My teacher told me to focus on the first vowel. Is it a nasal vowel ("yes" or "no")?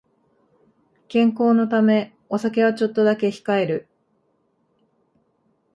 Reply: yes